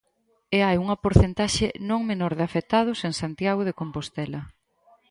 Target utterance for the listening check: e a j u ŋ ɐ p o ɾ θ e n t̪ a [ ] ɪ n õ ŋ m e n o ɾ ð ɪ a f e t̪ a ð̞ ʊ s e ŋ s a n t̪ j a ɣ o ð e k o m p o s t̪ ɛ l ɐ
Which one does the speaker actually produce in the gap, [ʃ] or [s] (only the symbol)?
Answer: ʃ